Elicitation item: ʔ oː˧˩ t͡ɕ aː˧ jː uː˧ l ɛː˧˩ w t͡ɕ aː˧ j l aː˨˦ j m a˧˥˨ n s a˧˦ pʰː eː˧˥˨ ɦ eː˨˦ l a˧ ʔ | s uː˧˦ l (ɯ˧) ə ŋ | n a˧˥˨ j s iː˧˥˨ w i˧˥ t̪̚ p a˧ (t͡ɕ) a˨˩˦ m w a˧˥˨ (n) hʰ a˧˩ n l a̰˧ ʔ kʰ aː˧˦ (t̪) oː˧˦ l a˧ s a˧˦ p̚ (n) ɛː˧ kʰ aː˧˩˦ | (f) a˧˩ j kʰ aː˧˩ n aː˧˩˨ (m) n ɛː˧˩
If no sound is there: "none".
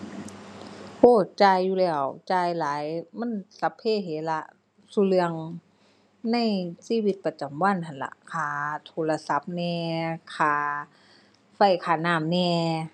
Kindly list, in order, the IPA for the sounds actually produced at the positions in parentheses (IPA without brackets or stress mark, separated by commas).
ɯ˧, t͡ɕ, n, t̪ʰ, n, f, m